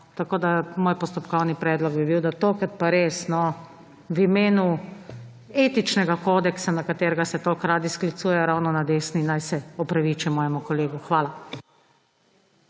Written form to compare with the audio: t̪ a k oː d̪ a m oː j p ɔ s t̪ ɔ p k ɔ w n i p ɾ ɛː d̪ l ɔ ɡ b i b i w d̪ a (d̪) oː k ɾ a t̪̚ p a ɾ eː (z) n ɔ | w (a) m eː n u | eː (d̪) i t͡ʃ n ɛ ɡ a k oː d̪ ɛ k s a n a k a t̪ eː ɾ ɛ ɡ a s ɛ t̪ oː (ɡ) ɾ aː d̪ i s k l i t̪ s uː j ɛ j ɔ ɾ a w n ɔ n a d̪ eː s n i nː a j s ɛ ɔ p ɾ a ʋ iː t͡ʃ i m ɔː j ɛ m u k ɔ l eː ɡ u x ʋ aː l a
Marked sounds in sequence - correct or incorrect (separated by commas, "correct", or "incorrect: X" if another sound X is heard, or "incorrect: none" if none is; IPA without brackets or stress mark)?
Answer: incorrect: t̪, incorrect: s, incorrect: i, incorrect: t̪, incorrect: k